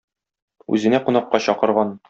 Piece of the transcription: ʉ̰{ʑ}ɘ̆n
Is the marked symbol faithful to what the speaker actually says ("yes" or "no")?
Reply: no